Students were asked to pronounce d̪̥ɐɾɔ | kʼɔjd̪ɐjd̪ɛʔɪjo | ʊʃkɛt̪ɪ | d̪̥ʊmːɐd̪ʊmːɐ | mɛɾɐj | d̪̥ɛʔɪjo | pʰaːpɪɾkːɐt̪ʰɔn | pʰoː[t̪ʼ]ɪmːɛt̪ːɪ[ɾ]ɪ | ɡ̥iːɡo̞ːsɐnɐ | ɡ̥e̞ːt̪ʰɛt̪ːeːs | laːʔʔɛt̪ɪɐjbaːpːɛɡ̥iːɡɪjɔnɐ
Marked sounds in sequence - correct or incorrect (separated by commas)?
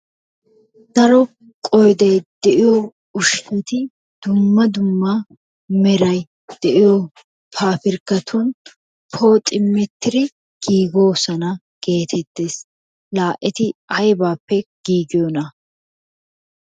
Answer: correct, correct